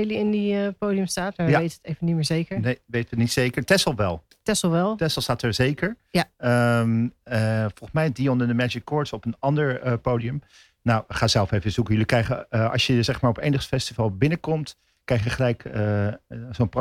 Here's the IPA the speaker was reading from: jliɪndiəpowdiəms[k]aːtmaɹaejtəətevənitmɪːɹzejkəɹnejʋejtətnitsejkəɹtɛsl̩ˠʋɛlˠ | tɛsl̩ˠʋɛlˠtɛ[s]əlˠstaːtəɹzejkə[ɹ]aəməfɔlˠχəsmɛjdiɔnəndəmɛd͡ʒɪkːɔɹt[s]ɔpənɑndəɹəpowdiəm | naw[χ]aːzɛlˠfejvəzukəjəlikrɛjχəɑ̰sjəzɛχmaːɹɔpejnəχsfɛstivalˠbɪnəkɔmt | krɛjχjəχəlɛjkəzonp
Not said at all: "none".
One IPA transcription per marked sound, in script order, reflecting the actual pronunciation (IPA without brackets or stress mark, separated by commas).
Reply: t, s, ɹ, s, χ